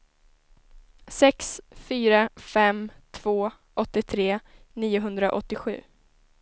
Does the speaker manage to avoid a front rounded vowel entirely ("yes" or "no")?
no